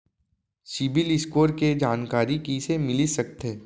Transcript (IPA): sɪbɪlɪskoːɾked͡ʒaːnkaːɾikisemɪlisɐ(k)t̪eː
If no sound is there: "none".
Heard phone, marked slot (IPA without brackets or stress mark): k